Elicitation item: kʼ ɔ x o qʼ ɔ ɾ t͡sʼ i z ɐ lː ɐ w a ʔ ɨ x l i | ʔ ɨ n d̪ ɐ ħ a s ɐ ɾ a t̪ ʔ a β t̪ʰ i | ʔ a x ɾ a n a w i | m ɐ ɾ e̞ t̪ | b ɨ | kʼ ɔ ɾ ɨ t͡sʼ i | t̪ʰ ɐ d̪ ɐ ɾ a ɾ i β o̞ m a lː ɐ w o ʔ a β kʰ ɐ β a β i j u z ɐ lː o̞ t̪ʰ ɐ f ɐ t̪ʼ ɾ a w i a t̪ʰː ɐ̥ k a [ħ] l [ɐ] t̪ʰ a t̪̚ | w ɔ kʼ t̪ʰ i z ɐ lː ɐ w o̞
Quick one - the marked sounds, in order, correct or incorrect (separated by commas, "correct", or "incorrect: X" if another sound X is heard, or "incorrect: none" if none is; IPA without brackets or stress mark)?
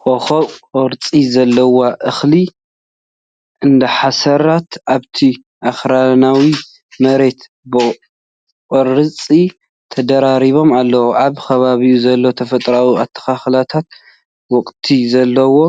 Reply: incorrect: x, incorrect: a